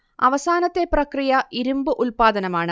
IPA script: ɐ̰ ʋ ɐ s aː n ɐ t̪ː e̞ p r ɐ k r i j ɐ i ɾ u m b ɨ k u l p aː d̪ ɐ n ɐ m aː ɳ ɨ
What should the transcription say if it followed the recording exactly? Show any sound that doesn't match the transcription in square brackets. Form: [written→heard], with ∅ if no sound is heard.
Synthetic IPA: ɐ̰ ʋ ɐ s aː n ɐ t̪ː e̞ p r ɐ k r i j ɐ i ɾ u m b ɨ [k→ʔ] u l p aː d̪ ɐ n ɐ m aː ɳ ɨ

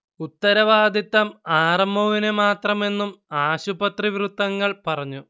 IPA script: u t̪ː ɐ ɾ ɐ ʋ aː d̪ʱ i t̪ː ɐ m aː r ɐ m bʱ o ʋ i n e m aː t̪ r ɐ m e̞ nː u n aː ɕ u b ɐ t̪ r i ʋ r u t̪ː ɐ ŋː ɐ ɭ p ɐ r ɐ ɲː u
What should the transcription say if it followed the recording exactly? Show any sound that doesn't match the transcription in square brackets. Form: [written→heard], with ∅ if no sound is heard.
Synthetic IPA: u t̪ː ɐ ɾ ɐ ʋ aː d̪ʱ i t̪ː ɐ m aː r ɐ m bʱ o ʋ i n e m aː t̪ r ɐ m e̞ nː u [n→m] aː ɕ u b ɐ t̪ r i ʋ r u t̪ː ɐ ŋː ɐ ɭ p ɐ r ɐ ɲː u

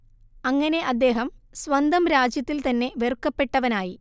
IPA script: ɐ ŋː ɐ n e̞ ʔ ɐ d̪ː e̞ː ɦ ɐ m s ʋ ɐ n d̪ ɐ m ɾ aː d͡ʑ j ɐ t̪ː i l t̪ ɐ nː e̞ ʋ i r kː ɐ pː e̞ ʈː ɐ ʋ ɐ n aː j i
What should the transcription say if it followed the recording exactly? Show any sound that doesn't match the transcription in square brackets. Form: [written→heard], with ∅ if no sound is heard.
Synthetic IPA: ɐ ŋː ɐ n e̞ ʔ ɐ d̪ː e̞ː ɦ ɐ m s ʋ ɐ n d̪ ɐ m ɾ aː d͡ʑ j ɐ t̪ː i l t̪ ɐ nː e̞ ʋ [i→e] r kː ɐ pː e̞ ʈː ɐ ʋ ɐ n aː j i

